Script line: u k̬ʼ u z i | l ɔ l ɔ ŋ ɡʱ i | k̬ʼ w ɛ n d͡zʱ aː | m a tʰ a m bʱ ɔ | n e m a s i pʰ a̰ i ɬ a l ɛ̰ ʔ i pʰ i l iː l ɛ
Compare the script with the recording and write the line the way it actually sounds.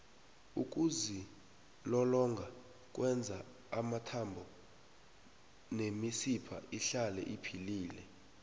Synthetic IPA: u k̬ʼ u z i | l ɔ l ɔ ŋ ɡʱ a | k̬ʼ w ɛ n d͡zʱ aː | m a tʰ a m bʱ ɔ | n e m i s i pʰ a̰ i ɬ a l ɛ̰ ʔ i pʰ i l iː l ɛ